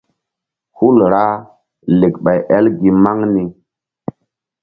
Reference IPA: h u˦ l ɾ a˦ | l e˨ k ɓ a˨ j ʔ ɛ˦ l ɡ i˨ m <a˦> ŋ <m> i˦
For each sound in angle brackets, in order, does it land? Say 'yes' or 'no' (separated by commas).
yes, no